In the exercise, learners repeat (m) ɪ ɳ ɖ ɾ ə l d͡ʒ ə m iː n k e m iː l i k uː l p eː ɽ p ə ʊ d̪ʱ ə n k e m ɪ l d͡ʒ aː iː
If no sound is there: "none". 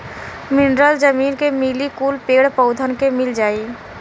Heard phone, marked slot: m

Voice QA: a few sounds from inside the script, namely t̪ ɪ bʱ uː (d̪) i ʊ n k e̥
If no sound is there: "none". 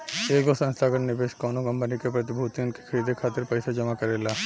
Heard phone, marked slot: t̪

